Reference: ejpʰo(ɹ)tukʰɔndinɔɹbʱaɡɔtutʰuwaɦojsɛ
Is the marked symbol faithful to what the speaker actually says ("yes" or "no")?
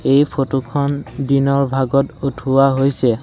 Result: no